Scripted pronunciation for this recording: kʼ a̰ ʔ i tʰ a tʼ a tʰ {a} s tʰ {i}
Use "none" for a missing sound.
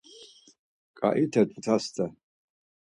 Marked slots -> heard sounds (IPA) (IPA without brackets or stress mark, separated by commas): a, a